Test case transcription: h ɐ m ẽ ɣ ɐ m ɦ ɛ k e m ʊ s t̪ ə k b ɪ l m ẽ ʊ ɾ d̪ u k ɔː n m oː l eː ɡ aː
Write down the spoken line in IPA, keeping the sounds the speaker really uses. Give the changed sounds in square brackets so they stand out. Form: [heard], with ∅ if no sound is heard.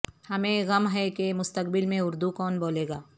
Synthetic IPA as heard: h ɐ m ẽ ɣ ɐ m ɦ ɛ k e m ʊ s t̪ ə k b ɪ l m ẽ ʊ ɾ d̪ u k ɔː n [b] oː l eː ɡ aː